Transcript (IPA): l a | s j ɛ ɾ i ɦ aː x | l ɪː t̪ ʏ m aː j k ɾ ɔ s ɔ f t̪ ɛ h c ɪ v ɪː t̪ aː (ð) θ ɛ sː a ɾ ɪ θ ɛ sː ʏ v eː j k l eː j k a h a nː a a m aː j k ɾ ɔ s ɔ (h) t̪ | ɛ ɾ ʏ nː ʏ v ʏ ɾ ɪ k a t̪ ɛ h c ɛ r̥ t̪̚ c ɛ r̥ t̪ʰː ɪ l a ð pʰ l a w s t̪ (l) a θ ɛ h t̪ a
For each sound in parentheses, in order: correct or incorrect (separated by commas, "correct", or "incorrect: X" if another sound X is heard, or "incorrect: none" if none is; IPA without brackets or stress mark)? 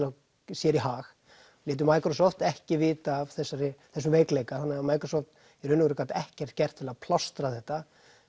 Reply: incorrect: v, incorrect: f, incorrect: ɾ